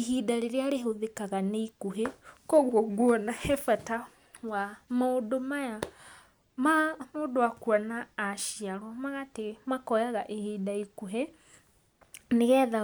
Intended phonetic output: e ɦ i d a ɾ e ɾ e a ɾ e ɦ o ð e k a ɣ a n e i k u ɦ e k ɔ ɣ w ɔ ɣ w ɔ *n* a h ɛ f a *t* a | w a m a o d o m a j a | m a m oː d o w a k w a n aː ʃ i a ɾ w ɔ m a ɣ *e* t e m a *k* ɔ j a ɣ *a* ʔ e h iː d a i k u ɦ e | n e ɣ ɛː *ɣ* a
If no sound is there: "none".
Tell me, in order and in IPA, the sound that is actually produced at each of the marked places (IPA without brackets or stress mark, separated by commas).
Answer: n, t, a, k, a, ð